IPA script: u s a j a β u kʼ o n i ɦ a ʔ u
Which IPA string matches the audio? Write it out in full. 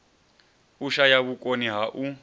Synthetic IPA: u ʃ a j a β u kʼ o n i ɦ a ʔ u